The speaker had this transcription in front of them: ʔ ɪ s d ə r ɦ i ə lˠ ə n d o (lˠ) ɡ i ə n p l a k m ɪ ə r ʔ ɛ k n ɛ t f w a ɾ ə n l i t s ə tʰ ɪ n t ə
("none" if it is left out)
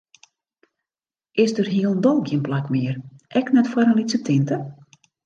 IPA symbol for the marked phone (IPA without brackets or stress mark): lˠ